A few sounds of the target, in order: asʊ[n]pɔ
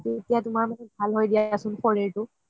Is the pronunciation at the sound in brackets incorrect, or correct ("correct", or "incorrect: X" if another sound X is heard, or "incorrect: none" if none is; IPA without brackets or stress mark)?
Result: correct